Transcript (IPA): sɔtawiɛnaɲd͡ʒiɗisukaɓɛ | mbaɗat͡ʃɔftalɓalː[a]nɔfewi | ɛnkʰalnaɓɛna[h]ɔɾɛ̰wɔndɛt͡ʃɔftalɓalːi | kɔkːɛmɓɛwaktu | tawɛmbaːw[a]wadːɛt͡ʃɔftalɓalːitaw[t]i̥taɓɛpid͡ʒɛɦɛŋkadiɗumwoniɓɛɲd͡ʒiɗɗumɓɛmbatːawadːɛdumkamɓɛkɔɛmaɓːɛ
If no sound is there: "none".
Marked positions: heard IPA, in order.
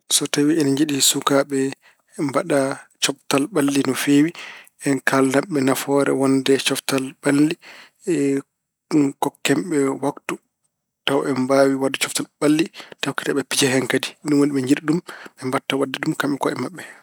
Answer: i, f, i, k

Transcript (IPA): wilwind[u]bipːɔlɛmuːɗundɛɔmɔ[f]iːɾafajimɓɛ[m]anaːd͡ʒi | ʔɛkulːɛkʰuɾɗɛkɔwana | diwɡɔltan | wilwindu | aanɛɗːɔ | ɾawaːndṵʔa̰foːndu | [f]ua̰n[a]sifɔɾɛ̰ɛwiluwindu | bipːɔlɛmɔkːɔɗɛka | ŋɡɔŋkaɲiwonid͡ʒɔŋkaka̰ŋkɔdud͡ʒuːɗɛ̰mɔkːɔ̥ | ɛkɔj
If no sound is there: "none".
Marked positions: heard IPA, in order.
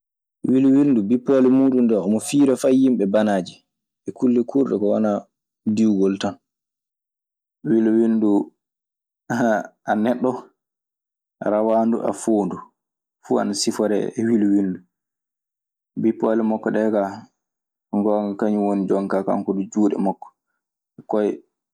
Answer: u, f, b, f, a

